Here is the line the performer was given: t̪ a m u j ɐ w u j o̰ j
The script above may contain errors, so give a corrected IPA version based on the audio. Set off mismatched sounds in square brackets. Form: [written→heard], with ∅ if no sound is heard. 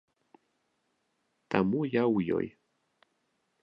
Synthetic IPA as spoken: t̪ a m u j [ɐ→a] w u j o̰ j